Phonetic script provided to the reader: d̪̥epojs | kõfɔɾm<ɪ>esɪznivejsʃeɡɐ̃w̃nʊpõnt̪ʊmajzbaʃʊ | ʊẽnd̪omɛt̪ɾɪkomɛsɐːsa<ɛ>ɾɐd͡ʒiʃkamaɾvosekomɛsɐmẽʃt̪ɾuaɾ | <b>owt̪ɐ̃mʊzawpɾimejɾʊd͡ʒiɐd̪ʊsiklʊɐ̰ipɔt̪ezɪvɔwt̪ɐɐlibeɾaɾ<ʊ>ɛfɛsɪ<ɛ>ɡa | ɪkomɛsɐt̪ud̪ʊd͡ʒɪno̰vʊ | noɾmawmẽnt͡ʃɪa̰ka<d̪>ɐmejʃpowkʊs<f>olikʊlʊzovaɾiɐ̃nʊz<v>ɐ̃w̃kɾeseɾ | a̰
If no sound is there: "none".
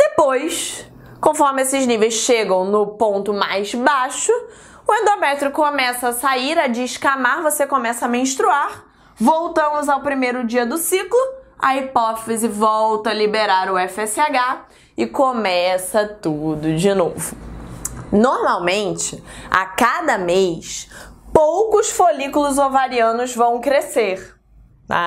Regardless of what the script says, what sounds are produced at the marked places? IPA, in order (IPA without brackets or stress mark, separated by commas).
ɪ, i, v, ʊ, a, d̪, f, v